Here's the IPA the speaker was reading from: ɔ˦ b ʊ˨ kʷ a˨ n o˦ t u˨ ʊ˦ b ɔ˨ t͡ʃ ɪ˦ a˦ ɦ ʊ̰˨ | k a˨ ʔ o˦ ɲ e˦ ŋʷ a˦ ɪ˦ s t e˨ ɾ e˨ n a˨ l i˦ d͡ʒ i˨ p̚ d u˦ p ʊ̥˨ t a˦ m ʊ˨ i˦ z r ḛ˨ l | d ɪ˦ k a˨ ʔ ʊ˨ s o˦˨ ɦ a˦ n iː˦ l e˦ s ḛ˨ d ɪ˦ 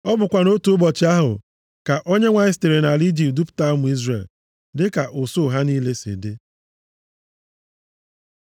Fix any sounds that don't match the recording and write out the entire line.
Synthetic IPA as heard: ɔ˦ b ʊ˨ kʷ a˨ n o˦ t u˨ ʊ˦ b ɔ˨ t͡ʃ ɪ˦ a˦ ɦ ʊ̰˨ | k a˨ ʔ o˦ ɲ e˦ ŋʷ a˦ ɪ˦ s t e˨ ɾ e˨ n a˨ l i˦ d͡ʒ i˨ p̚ d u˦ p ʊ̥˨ t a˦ m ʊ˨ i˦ z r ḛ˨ l | d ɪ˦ k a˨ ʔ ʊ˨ s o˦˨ ɦ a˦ n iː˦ l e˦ s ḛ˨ d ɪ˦

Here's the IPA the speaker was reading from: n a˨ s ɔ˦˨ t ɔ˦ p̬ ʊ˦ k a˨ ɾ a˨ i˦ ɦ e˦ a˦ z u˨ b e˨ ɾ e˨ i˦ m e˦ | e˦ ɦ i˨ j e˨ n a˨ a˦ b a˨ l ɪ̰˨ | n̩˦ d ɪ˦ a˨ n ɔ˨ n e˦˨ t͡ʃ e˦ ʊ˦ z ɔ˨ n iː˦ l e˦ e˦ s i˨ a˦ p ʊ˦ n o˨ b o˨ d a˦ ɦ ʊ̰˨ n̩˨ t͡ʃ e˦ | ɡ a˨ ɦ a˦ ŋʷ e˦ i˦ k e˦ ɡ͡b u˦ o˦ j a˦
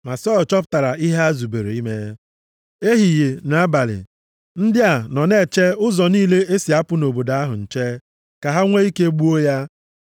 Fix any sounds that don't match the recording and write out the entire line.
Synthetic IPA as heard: m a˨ s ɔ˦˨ t͡ʃ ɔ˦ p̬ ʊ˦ t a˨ ɾ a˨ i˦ ɦ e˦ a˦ z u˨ b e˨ ɾ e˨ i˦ m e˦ | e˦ ɦ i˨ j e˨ n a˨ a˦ b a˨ l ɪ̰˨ | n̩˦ d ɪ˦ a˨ n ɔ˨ n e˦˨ t͡ʃ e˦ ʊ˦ z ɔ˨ n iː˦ l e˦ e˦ s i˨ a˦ p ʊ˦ n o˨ b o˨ d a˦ ɦ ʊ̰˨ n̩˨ t͡ʃ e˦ | k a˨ ɦ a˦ ŋʷ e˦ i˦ k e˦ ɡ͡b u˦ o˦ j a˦

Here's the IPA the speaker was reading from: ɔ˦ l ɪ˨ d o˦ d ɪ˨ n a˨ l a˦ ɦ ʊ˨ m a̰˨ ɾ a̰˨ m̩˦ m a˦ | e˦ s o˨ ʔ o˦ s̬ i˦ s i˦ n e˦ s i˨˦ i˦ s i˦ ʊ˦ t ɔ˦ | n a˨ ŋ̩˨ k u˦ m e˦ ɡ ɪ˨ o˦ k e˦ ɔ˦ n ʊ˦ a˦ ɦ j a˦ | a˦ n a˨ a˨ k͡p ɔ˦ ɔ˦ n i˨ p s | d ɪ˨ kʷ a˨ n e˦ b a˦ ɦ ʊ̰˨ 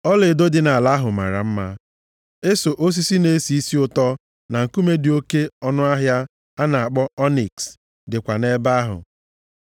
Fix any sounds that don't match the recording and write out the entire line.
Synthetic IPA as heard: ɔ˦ l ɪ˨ d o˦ d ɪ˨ n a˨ l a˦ ɦ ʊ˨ m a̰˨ ɾ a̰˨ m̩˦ m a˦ | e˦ s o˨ ʔ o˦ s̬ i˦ s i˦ n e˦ s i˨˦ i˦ s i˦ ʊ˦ t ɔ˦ | n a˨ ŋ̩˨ k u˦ m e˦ d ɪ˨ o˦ k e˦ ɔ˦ n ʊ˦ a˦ ɦ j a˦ | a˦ n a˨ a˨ k͡p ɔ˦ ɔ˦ n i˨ k s | d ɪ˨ kʷ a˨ n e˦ b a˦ ɦ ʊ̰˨

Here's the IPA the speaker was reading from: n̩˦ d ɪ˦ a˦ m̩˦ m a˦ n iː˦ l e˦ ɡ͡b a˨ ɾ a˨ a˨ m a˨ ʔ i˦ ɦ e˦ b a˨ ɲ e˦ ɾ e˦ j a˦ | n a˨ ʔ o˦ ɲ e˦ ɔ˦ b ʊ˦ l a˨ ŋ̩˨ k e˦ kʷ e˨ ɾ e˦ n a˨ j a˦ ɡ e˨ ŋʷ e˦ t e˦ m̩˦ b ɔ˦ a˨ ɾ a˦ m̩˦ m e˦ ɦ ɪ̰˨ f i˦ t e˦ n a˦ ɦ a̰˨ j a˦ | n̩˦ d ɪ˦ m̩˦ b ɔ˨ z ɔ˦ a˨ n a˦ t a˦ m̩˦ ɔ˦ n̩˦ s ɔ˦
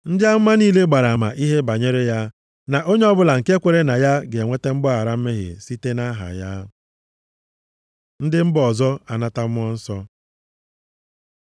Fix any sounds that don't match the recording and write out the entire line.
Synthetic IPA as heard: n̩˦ d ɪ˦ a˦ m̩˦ m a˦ n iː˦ l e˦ ɡ͡b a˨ ɾ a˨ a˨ m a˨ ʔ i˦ ɦ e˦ b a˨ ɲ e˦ ɾ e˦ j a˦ | n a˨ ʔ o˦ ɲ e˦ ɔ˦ b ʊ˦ l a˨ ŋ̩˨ k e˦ kʷ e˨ ɾ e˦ n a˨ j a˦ ɡ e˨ ŋʷ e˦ t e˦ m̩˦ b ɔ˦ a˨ ɾ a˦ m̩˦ m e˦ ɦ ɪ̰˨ s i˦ t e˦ n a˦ ɦ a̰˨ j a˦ | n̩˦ d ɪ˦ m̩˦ b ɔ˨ z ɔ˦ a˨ n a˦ t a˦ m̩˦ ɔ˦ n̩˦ s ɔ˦

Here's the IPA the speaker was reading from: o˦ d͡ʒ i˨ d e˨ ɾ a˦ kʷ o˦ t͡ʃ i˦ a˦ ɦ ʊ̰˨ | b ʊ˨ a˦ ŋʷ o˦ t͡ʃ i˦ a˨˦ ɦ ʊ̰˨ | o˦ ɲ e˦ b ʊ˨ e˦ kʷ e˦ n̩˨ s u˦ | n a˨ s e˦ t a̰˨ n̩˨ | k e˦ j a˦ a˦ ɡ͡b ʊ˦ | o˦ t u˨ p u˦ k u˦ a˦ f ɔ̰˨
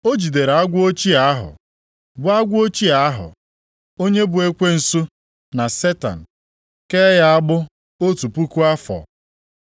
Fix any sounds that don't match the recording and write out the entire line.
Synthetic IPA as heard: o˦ d͡ʒ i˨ d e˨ ɾ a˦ ɡʷ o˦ t͡ʃ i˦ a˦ ɦ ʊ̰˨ | b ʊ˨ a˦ ɡʷ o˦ t͡ʃ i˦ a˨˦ ɦ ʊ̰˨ | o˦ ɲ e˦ b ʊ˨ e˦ kʷ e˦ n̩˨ s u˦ | n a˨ s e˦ t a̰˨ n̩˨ | k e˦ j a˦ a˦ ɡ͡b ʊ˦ | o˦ t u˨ p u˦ k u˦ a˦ f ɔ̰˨

